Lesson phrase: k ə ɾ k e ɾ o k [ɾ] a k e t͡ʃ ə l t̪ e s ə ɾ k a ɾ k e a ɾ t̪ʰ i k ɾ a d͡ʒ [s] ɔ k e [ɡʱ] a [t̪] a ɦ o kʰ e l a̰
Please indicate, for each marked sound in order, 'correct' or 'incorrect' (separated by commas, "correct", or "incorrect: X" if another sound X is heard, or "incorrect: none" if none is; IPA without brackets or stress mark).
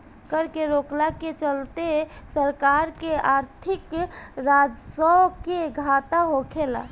incorrect: l, correct, correct, correct